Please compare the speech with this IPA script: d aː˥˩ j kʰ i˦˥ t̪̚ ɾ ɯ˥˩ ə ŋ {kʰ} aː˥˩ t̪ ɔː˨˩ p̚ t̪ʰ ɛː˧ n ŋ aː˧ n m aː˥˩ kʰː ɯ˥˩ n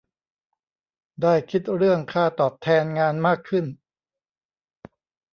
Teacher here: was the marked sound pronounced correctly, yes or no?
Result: yes